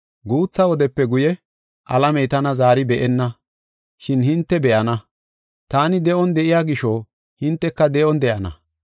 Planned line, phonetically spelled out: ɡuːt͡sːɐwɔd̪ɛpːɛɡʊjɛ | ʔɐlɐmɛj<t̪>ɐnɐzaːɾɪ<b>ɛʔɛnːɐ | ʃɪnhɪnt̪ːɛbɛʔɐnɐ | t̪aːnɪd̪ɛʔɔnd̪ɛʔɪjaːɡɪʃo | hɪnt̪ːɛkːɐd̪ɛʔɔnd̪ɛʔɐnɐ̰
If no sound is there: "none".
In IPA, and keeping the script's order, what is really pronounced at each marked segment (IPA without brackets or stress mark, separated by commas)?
t̪, b